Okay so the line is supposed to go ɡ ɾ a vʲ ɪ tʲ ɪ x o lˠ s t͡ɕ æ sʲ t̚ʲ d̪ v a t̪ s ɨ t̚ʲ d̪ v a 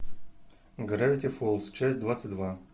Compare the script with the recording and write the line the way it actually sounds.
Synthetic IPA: ɡ ɾ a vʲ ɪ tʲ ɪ f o lˠ s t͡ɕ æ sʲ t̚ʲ d̪ v a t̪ s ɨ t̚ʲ d̪ v a